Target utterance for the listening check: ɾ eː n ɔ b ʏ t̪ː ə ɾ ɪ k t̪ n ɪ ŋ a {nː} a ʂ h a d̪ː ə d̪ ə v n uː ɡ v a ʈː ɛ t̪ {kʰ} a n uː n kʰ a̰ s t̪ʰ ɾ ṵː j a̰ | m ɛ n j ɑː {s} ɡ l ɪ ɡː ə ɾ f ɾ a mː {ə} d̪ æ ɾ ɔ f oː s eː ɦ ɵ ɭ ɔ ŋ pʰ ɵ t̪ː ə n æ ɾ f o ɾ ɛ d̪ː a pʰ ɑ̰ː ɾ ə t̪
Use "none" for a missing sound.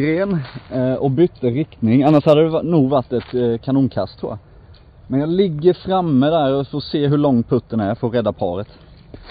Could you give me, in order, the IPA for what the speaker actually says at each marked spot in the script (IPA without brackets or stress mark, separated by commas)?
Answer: nː, kʰ, none, ə